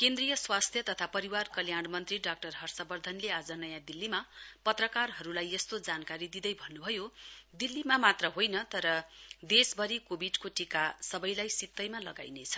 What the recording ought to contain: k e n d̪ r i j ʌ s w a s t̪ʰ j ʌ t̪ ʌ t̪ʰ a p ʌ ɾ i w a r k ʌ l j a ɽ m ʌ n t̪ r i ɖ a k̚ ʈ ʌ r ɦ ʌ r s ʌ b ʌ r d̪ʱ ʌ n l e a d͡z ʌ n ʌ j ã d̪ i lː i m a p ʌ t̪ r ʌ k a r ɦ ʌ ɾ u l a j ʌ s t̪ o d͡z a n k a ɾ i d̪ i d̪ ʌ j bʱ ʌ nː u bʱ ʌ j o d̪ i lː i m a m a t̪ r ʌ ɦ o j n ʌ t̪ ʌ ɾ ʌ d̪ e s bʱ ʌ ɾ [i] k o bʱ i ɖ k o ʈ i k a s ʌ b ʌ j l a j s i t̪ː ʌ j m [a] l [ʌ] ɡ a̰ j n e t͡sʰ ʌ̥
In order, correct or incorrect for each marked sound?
correct, correct, correct

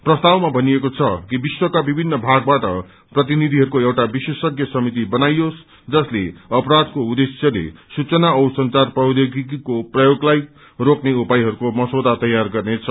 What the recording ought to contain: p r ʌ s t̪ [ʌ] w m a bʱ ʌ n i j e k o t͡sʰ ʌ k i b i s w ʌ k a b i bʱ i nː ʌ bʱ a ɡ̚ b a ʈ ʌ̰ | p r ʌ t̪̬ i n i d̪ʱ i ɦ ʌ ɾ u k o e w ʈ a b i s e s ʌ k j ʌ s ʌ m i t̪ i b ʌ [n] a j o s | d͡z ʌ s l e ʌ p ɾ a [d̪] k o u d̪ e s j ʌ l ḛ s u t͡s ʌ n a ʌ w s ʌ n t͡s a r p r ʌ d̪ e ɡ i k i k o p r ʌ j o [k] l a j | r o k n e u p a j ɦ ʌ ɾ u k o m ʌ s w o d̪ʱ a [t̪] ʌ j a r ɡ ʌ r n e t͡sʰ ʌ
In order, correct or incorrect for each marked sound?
incorrect, correct, correct, incorrect, correct

